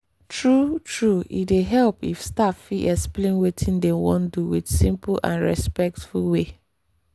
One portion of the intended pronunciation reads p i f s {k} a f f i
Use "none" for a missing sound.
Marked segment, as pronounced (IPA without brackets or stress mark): t